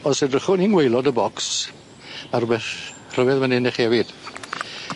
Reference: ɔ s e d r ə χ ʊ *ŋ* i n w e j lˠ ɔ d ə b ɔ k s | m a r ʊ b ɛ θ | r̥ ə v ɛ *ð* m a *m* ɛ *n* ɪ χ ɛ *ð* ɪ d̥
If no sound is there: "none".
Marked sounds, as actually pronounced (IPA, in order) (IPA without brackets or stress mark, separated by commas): n, ð, n, n, v